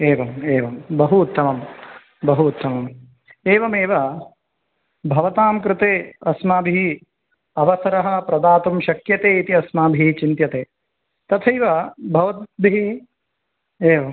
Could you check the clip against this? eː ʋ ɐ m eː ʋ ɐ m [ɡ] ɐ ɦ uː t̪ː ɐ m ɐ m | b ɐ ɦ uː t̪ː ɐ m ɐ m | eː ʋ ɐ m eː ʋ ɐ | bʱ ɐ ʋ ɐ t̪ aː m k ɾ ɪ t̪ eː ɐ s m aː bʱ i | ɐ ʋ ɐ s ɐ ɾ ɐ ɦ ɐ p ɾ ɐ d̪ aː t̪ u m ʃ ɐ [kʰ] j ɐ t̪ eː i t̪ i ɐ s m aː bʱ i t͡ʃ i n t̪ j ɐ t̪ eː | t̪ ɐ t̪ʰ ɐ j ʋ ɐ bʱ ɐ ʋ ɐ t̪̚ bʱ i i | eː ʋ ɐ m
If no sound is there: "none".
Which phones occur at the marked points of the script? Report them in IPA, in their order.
b, k

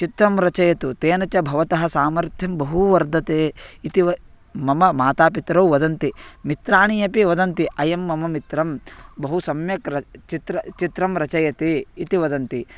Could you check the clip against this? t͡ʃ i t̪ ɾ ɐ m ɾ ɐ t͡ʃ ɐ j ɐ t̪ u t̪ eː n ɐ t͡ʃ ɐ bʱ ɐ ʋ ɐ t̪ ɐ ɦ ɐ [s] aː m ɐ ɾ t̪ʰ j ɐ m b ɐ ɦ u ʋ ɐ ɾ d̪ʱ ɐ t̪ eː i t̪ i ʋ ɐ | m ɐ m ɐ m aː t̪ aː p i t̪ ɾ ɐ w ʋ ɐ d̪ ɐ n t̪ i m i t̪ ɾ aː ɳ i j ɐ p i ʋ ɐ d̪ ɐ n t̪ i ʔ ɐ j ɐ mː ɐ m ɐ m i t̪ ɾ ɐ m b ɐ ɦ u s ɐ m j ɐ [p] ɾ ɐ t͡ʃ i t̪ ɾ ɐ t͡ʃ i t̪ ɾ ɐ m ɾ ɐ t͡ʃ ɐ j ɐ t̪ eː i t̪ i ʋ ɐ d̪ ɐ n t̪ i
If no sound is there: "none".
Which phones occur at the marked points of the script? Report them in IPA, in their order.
s, k

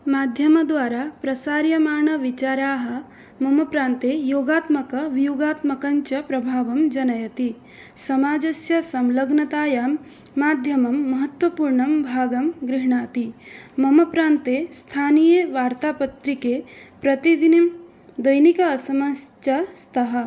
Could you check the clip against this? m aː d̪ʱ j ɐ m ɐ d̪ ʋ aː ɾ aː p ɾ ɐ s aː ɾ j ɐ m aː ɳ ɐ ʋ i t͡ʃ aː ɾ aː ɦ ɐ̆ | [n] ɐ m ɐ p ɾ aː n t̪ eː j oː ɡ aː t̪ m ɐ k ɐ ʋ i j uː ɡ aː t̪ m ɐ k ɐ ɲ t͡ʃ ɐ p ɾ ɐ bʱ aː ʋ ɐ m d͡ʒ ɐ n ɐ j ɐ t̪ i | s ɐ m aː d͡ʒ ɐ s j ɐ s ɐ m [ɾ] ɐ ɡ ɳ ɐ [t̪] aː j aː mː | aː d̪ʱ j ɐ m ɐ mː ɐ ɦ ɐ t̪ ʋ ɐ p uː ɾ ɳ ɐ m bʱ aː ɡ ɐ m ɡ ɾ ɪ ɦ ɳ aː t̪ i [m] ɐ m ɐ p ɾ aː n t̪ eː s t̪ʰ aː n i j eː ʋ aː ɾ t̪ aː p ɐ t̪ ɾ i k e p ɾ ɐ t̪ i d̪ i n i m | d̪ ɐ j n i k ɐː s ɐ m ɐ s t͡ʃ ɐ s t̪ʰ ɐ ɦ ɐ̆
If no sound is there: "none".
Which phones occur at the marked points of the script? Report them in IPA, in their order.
m, l, t̪, m

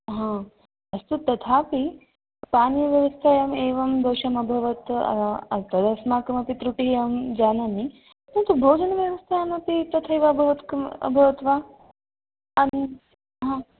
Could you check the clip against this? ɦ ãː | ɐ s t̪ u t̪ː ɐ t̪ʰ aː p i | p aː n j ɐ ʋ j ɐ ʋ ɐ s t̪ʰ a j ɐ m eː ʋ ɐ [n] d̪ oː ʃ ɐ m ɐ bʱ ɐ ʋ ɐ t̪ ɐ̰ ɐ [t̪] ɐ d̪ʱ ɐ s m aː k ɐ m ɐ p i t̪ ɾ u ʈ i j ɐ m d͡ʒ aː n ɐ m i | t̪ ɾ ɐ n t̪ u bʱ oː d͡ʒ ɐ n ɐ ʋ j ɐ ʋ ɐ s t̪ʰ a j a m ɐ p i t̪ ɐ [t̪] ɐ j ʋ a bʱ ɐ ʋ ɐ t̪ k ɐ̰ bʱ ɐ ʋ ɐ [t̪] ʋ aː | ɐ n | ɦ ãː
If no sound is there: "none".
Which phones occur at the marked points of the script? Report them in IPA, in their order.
m, t̪, t̪ʰ, t̪

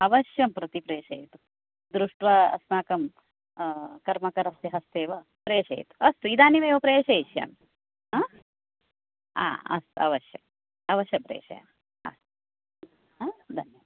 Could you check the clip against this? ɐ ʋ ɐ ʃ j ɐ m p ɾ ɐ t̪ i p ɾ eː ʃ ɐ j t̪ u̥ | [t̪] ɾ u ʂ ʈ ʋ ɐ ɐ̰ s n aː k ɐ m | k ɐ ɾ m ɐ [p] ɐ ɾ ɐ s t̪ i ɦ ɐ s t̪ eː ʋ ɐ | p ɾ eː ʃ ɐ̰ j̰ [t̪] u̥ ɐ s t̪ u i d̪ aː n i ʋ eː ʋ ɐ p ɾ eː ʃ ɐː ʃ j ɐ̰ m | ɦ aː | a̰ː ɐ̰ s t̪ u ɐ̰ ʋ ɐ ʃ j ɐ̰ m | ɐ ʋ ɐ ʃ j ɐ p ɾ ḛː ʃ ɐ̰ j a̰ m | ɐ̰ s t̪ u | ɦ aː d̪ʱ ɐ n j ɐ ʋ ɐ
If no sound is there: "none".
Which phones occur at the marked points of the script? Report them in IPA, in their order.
d̪, k, t̪

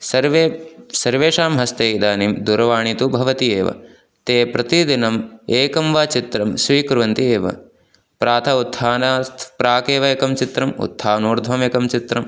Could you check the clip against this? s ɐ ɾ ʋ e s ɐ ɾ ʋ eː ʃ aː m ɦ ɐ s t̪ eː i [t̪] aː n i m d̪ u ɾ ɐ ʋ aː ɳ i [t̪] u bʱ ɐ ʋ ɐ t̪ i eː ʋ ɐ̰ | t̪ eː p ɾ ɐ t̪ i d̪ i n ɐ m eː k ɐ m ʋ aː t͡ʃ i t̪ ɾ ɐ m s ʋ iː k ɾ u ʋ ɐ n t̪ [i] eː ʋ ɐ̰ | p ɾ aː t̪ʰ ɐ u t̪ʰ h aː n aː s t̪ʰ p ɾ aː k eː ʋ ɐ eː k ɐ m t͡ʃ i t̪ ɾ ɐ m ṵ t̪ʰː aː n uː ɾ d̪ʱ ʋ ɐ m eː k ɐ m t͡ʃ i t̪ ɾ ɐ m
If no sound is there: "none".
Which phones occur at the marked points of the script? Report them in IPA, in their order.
d̪, t̪, i

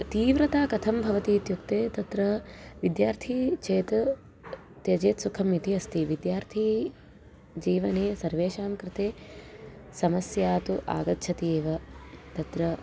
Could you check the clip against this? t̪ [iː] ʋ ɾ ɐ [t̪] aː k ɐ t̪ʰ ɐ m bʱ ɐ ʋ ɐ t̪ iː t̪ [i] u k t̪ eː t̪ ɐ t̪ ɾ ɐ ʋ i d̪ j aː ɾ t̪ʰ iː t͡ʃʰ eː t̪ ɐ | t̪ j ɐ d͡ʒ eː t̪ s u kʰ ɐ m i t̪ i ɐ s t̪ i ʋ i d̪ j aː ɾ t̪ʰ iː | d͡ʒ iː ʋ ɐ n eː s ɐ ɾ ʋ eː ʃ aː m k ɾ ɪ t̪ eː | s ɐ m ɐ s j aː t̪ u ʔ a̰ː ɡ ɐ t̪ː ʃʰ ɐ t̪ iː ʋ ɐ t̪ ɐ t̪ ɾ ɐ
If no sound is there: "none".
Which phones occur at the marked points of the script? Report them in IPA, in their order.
iː, t̪, j

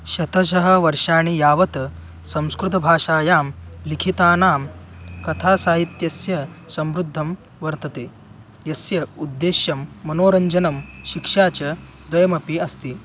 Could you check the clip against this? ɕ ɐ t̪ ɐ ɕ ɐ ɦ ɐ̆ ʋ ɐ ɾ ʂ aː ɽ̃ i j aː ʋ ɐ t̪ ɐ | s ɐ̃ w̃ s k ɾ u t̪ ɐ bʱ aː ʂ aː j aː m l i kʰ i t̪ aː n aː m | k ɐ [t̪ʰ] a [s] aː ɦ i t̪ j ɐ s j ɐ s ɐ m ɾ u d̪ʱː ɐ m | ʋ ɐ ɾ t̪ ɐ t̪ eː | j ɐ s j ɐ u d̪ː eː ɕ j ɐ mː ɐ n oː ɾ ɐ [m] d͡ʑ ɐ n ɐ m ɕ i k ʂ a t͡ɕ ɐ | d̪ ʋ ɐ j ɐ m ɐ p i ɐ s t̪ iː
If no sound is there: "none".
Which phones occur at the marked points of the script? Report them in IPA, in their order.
t̪ʰ, s, ɲ

